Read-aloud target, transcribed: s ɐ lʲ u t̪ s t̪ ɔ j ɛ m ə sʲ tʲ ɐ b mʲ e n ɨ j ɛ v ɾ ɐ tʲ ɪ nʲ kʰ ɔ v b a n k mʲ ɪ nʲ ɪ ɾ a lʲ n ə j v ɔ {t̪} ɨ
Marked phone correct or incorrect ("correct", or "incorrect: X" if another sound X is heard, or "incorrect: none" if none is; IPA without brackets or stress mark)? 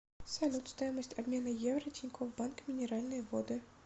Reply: incorrect: d̪